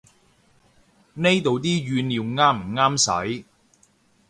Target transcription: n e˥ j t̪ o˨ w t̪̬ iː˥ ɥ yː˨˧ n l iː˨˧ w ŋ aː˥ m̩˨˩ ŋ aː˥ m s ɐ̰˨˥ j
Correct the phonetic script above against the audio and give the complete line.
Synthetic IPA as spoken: n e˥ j t̪ o˨ w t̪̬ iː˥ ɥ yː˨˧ n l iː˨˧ w ŋ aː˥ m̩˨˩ ŋ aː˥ m s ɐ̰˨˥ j